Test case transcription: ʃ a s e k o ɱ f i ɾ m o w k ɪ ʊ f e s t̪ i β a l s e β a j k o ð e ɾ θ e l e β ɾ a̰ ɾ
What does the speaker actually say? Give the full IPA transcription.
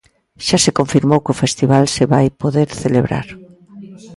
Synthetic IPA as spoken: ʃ a s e k o ɱ f i ɾ m o w k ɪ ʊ f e s t̪ i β a l s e β a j p o ð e ɾ θ e l e β ɾ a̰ ɾ

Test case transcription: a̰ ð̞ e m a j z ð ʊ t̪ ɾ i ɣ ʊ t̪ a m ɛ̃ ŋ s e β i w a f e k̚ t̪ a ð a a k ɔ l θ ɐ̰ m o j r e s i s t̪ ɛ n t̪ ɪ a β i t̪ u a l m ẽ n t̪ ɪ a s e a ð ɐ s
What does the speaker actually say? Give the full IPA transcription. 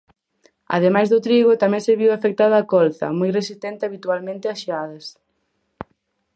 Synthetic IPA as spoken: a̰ ð̞ e m a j z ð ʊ t̪ ɾ i ɣ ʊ t̪ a m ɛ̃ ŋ s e β i w a f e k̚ t̪ a ð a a k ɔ l θ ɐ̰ m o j r e s i s t̪ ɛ n t̪ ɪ a β i t̪ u a l m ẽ n t̪ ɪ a ʃ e a ð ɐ s

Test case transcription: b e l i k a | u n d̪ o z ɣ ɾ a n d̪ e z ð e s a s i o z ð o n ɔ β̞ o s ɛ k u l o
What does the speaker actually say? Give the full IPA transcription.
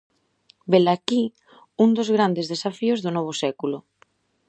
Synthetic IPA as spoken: b e l a k i | u n d̪ o z ɣ ɾ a n d̪ e z ð e s a f i o z ð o n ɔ β̞ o s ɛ k u l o

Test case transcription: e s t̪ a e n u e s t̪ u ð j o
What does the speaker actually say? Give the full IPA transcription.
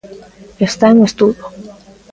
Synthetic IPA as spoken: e s t̪ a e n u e s t̪ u ð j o

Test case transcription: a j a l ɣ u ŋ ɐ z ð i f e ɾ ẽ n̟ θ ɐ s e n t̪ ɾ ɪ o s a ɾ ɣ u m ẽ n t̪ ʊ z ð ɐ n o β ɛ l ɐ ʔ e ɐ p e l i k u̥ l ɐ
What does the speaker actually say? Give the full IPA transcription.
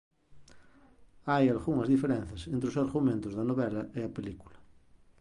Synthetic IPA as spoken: a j a l ɣ u ŋ ɐ z ð i f e ɾ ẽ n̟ θ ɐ s e n t̪ ɾ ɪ o s a ɾ ɣ u m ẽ n t̪ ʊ z ð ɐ n o β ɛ l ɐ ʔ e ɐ p e l i k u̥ l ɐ

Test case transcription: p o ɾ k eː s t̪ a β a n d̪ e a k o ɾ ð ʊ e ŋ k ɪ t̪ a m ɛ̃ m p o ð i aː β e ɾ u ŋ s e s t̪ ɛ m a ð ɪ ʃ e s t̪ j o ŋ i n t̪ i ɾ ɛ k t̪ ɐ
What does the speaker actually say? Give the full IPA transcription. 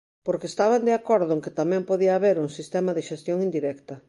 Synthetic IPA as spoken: p o ɾ k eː s t̪ a β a n d̪ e a k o ɾ ð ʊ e ŋ k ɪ t̪ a m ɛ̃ m p o ð i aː β e ɾ u ŋ s i s t̪ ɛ m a ð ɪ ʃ e s t̪ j o ŋ i n d̪ i ɾ ɛ k t̪ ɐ

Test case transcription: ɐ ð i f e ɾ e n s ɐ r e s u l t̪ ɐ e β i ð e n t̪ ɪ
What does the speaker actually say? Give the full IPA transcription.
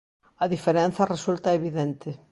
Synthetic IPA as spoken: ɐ ð i f e ɾ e n θ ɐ r e s u l t̪ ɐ e β i ð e n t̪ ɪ

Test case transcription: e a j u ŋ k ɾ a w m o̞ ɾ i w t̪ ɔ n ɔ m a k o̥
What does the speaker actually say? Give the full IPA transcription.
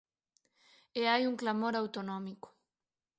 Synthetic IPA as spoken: e a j u ŋ k l a m o̞ ɾ a w t̪ o n o m i k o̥

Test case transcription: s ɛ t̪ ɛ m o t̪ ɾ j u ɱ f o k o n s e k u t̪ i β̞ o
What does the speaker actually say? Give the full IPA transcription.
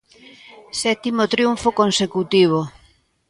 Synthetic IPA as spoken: s ɛ t̪ i m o t̪ ɾ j u ɱ f o k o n s e k u t̪ i β̞ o

